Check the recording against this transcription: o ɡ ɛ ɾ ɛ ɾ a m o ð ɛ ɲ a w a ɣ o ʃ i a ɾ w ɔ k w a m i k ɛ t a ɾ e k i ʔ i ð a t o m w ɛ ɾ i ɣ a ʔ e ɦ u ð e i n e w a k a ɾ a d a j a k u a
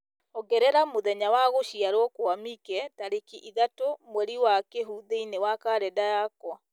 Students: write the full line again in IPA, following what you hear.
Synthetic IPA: o ɡ ɛ ɾ ɛ ɾ a m o ð ɛ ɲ a w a ɣ o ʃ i a ɾ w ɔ k w a m i k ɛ t a ɾ e k i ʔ i ð a t o m w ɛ ɾ i w a k e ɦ u ð e i n e w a k a ɾ ɛ d a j a k w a